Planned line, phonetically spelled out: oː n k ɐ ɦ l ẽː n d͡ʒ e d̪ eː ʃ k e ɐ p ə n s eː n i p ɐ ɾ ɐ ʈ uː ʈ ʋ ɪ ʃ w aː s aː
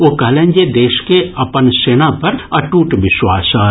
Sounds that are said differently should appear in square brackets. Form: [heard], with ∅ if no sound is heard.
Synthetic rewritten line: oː [∅] k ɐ ɦ l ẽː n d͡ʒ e d̪ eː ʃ k e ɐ p ə n s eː n [a] p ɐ ɾ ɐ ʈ uː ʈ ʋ ɪ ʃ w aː s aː

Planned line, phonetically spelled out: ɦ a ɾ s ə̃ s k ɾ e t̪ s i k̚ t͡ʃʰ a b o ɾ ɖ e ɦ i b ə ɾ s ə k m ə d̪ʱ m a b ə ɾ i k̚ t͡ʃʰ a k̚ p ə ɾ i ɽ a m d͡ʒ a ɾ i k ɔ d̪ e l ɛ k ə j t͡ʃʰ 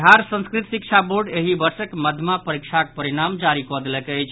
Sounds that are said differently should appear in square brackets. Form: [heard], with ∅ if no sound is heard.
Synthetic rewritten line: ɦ a ɾ s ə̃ s k ɾ [i] t̪ s i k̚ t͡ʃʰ a b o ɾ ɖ e ɦ i b ə ɾ s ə k m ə d̪ʱ m a [p] ə ɾ i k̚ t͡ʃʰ a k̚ p ə ɾ i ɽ a m d͡ʒ a ɾ i k ɔ d̪ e l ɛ k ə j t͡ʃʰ

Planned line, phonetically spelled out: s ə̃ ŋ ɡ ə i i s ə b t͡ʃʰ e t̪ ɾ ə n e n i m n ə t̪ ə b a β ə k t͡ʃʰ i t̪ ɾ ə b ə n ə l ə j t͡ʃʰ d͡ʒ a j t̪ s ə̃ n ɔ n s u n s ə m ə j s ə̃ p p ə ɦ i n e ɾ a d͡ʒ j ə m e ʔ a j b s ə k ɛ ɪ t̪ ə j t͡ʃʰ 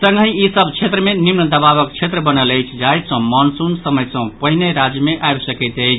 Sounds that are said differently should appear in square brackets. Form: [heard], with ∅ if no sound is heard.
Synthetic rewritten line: s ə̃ ŋ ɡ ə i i s ə b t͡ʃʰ e t̪ ɾ ə [m] e n i m n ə [d̪] ə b a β ə k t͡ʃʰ [e] t̪ ɾ ə b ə n ə l ə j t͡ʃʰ d͡ʒ a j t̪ s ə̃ [m] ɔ n s u n s ə m ə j s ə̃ p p ə ɦ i n e ɾ a d͡ʒ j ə m e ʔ a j b s ə k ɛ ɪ t̪ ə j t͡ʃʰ

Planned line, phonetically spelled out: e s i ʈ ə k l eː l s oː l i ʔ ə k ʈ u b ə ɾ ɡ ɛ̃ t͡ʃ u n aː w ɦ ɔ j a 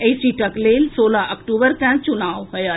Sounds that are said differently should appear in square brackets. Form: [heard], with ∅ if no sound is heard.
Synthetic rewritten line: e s i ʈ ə k l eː l s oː l [a] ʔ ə k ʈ u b ə ɾ [k] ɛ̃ t͡ʃ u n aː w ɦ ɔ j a

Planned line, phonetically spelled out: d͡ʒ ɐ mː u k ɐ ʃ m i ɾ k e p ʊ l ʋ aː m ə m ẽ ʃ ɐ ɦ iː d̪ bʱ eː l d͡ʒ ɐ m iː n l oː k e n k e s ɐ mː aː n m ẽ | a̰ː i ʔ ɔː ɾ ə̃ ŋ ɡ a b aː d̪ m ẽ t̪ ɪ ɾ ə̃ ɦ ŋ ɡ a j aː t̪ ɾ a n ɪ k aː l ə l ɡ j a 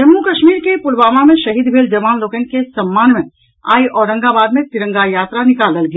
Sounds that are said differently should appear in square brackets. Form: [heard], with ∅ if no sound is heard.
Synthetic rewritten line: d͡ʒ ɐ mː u k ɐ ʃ m [iː] ɾ k e p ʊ l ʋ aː m [a] m ẽ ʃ ɐ ɦ iː d̪ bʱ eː l d͡ʒ ɐ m [aː] n l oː k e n k e s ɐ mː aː n m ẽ | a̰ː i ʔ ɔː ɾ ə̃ ŋ ɡ a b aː d̪ m ẽ t̪ ɪ ɾ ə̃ [∅] ŋ ɡ a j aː t̪ ɾ a n ɪ k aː l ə l ɡ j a

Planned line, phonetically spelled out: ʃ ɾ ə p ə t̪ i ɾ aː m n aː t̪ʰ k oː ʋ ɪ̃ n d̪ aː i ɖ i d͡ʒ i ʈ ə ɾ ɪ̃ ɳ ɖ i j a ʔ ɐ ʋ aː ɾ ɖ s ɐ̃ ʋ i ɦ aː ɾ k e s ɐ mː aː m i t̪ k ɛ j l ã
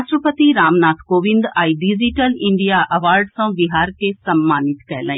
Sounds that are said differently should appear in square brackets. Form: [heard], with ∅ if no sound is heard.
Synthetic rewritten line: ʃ ɾ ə p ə t̪ i ɾ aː m n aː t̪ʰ k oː ʋ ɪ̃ n d̪ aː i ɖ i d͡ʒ i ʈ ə [l] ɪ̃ ɳ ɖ i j a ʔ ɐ ʋ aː ɾ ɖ s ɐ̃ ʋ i ɦ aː ɾ k e s ɐ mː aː [n] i t̪ k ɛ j l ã

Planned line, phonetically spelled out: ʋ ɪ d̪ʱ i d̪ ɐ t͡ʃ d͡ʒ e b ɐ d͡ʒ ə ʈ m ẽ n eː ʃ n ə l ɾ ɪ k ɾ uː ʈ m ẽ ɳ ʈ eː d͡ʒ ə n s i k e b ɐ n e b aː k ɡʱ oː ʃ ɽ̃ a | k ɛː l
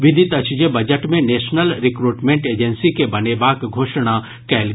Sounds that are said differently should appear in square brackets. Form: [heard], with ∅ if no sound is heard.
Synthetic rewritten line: ʋ ɪ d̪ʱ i [t̪] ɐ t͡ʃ d͡ʒ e b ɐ d͡ʒ ə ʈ m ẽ n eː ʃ n ə l ɾ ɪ k ɾ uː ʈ m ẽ ɳ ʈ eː d͡ʒ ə n s i k e b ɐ n e b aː k ɡʱ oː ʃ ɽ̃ a | k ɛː l

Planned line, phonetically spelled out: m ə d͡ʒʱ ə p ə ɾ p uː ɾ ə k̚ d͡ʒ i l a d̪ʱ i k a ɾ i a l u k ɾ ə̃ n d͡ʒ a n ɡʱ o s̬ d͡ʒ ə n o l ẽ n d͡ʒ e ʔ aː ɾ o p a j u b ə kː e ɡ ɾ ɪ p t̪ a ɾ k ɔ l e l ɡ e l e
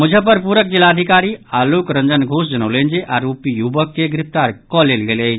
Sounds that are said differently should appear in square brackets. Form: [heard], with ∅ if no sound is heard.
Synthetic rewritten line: m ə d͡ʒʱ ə p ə ɾ p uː ɾ ə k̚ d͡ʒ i l a d̪ʱ i k a ɾ i a l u k ɾ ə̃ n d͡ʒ [ə] n ɡʱ o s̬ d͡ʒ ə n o l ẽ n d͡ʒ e ʔ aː ɾ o p [i] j u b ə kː e ɡ ɾ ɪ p t̪ a ɾ k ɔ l e l ɡ e l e

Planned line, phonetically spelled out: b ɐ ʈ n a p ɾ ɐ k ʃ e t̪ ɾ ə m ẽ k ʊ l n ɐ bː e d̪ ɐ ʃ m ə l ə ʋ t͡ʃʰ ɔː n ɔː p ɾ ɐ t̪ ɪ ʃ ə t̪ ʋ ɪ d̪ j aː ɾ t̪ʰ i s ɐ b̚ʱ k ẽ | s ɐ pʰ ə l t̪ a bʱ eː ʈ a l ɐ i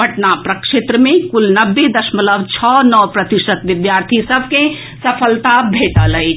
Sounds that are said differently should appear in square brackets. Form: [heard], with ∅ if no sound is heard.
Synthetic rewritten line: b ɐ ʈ n a p ɾ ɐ k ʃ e t̪ ɾ ə m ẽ k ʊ l n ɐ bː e d̪ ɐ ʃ m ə l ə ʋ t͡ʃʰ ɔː n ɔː p ɾ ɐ t̪ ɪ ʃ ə t̪ ʋ ɪ d̪ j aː ɾ t̪ʰ i s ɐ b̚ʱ k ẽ | s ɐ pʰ ə l t̪ a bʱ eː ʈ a l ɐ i

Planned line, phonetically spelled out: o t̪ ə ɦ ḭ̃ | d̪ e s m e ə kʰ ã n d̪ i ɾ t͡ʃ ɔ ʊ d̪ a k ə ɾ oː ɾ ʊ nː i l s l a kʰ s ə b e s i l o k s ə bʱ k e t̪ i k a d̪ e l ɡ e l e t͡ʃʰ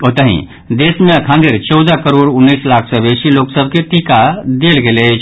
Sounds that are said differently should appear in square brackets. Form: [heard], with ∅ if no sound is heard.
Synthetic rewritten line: o t̪ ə ɦ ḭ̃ | d̪ e s m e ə kʰ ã n d̪ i ɾ t͡ʃ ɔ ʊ d̪ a k ə ɾ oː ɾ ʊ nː i [∅] s l a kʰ s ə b e s i l o k s ə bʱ k e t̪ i k a d̪ e l ɡ e l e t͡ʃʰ

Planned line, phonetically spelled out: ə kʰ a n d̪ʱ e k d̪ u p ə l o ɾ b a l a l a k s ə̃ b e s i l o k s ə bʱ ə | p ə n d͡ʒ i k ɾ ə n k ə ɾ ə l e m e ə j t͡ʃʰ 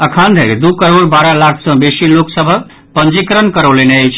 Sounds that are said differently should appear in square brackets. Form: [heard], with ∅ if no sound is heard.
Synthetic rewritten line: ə kʰ a n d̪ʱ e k d̪ u [k] ə [ɾ] o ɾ b a [ɾ] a l a [kʰ] s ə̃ b e s i l o k s ə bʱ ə | p ə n d͡ʒ i k ɾ ə n k ə ɾ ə l e [n] e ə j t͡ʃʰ

